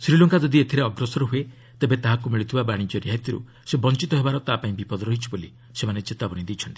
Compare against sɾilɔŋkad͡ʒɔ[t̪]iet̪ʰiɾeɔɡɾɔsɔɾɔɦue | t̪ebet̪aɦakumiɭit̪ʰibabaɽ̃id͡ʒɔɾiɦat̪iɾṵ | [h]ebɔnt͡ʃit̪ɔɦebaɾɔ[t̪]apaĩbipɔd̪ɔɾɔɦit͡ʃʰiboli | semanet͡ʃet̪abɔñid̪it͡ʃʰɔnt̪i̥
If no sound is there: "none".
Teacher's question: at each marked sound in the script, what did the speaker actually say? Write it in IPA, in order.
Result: d̪, s, t̪

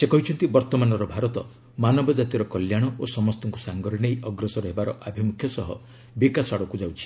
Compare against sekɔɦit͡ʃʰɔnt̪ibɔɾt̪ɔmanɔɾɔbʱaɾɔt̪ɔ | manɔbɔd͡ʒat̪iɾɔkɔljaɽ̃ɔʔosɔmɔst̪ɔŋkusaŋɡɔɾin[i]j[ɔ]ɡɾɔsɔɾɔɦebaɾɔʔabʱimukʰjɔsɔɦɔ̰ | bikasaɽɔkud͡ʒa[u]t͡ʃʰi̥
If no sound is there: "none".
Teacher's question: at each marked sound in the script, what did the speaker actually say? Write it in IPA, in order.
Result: e, ɔ, w

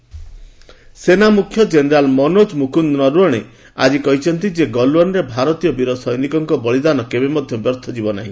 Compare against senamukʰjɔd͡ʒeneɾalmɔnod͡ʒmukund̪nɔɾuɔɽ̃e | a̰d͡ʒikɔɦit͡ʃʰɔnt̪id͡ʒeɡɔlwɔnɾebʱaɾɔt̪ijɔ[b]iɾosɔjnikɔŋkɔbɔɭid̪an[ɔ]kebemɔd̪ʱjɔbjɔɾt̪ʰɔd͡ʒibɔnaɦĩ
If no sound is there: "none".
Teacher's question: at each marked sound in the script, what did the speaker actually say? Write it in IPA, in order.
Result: b, ɔ

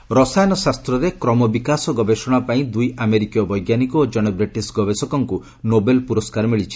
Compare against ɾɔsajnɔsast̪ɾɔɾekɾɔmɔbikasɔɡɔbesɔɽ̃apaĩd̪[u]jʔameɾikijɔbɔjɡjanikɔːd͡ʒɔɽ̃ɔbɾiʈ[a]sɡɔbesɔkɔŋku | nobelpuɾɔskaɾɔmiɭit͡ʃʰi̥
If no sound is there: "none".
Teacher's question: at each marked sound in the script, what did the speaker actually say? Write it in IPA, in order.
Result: u, i

